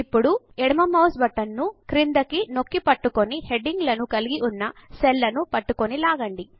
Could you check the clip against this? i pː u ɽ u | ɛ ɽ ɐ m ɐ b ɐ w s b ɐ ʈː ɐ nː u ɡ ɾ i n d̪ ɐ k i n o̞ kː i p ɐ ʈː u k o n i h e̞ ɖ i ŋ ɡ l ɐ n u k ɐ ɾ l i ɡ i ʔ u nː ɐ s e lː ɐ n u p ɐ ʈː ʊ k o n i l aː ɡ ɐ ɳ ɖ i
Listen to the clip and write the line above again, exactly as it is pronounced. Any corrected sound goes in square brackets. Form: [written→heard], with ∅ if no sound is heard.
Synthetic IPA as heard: i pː u ɽ u | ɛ ɽ ɐ m ɐ [b→m] ɐ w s b ɐ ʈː ɐ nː u [ɡ→k] ɾ i n d̪ ɐ k i n o̞ kː i p ɐ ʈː u k o n i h e̞ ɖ i ŋ ɡ l ɐ n u k ɐ [ɾ→∅] l i ɡ i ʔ u nː ɐ s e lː ɐ n u p ɐ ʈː [ʊ→u] k o n i l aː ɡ ɐ ɳ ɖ i